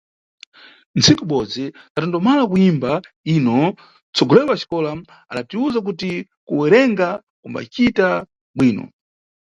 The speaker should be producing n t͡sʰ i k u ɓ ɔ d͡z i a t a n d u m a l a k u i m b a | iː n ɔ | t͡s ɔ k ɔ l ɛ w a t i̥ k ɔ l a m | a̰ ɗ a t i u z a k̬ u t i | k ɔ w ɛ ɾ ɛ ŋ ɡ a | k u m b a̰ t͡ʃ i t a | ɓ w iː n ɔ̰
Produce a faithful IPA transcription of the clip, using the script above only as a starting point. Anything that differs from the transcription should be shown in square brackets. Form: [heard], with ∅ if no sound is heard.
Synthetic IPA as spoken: n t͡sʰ i k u ɓ ɔ d͡z i a t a n d [ɔ] m a l a k u i m b a | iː n ɔ | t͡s ɔ [ɡ] ɔ l ɛ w a [t͡ʃ] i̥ k ɔ l a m | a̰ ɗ a t i u z a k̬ u t i | k [u] w ɛ ɾ ɛ ŋ ɡ a | k u m b a̰ t͡ʃ i t a | ɓ w iː n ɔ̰